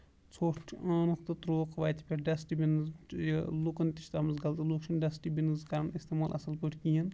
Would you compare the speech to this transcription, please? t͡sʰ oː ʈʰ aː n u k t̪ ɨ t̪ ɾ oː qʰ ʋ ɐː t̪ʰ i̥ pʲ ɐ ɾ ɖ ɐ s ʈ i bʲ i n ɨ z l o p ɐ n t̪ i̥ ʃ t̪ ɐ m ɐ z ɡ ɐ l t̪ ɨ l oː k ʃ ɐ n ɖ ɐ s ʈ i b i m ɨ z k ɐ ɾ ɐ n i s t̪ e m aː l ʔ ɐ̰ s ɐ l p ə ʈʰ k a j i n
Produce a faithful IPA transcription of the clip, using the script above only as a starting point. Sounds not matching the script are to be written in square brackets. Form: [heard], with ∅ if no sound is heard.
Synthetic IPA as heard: t͡sʰ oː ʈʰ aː n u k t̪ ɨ t̪ ɾ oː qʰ ʋ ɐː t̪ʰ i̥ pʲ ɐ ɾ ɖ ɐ s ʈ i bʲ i n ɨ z l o [k] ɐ n t̪ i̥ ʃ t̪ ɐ m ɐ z ɡ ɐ l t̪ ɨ l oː k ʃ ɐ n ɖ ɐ s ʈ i b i [n] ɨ z k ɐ ɾ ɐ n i s t̪ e m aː l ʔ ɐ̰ s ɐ l p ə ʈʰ k [i] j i n